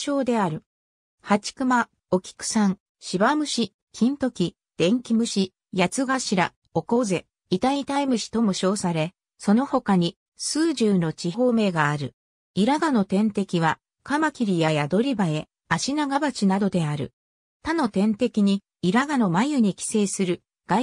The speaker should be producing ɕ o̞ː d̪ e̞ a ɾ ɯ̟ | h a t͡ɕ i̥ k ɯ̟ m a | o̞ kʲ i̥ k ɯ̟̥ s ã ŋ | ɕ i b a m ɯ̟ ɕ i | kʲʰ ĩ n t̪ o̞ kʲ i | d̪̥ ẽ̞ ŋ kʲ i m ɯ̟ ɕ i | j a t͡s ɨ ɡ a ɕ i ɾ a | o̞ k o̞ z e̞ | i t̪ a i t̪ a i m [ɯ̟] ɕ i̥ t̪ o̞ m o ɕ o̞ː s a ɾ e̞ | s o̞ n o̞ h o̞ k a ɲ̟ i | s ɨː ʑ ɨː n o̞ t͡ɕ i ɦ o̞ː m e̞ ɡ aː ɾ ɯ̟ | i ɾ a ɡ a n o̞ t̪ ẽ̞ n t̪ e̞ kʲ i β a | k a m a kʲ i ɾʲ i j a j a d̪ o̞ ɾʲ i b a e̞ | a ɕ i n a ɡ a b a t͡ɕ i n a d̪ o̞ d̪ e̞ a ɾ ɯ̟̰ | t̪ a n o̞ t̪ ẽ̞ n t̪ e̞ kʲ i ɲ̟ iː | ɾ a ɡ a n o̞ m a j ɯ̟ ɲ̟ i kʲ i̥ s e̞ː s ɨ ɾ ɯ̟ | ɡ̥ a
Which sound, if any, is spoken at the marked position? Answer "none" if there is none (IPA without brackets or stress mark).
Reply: ɯ̟